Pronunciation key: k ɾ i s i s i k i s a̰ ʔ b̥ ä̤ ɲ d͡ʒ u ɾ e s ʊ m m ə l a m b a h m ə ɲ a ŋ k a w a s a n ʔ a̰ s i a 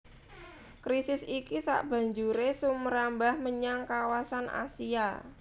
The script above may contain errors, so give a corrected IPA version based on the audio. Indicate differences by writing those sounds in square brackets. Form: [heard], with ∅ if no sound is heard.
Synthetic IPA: k ɾ i s [ɪ] s i k i s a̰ ʔ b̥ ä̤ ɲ d͡ʒ u ɾ e s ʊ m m ə [ɾ] a m b a h m ə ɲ a ŋ k a w a s a n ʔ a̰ s i a